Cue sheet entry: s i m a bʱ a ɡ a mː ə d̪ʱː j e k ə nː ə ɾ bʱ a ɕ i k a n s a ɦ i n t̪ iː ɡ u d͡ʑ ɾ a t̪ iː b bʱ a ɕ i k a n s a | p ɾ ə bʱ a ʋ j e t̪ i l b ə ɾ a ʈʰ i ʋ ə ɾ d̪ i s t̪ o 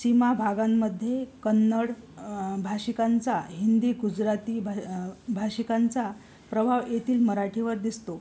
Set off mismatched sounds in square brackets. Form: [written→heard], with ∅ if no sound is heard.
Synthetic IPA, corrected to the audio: s i m a bʱ a ɡ a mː ə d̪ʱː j e k ə nː ə [ɾ→ɽ] bʱ a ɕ i k a n [s→t͡s] a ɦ i n [t̪→d̪] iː ɡ u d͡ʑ ɾ a t̪ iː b bʱ a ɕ i k a n [s→t͡s] a | p ɾ ə bʱ a ʋ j e t̪ [i→iː] l [b→m] ə ɾ a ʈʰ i ʋ ə ɾ d̪ i s t̪ o